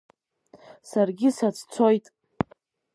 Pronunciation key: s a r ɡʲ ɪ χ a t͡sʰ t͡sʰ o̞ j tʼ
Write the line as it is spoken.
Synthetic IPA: s a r ɡʲ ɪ s a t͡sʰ t͡sʰ o̞ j tʼ